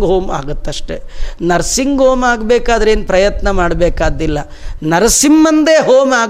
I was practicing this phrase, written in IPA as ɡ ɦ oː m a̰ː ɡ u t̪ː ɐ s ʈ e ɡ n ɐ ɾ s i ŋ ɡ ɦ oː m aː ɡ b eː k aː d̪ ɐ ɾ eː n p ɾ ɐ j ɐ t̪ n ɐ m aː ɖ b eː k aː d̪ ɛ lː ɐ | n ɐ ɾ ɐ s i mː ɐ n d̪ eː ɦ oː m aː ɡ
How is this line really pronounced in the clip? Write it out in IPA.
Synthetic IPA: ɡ ɦ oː m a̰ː ɡ u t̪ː ɐ ʂ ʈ e n ɐ ɾ s i ŋ ɡ ɦ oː m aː ɡ b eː k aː d̪ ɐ ɾ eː n p ɾ ɐ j ɐ t̪ n ɐ m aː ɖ b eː k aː d̪ i lː ɐ | n ɐ ɾ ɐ s i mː ɐ n d̪ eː ɦ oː m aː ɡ